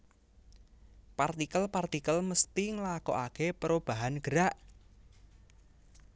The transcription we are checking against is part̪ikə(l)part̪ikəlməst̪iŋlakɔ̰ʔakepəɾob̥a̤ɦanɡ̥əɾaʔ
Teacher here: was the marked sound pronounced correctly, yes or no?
yes